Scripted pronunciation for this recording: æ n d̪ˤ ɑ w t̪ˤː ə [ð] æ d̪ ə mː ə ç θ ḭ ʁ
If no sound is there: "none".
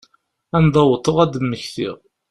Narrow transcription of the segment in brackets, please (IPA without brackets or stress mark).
ʁ